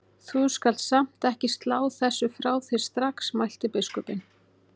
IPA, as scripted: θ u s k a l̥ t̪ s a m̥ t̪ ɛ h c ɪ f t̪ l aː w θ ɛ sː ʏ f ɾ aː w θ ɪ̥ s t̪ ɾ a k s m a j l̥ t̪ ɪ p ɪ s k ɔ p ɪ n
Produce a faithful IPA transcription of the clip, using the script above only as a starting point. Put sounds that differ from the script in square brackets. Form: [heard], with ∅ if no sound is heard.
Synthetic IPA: θ u s k a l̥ t̪ s a m̥ t̪ ɛ h c ɪ [s] t̪ l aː w θ ɛ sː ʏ f ɾ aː w θ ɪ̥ s t̪ ɾ a k s m a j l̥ t̪ ɪ p ɪ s k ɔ p ɪ n